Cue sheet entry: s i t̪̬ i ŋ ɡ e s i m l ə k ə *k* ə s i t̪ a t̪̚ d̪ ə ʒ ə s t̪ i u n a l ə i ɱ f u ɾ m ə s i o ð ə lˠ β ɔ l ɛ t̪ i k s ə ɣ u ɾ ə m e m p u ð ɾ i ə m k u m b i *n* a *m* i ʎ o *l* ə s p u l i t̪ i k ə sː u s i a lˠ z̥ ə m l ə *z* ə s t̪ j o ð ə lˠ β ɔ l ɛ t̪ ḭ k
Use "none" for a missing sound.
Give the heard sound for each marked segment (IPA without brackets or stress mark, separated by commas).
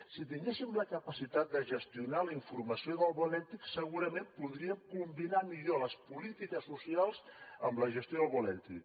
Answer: p, n, m, l, ʒ